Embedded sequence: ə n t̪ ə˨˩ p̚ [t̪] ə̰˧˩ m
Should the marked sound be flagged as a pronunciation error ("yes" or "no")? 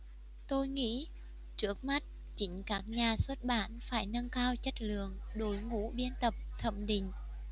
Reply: yes